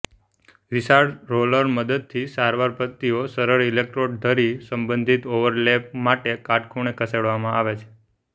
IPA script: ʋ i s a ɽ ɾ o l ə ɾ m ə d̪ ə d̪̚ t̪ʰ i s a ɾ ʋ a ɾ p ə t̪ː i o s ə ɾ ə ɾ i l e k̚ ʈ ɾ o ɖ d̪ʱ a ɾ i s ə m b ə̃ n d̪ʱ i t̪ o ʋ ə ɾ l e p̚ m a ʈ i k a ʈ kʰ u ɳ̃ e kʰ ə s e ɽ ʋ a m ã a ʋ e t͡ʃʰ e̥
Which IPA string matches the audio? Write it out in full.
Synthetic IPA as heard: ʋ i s a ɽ ɾ o l ə ɾ m ə d̪ ə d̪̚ t̪ʰ i s a ɾ ʋ a ɾ p ə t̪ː i o s ə ɾ ə ɾ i l e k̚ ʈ ɾ o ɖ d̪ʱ ə ɾ i s ə m b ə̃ n d̪ʱ i t̪ o ʋ ə ɾ l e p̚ m a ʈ e k a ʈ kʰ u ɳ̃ e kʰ ə s e ɽ ʋ a m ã a ʋ e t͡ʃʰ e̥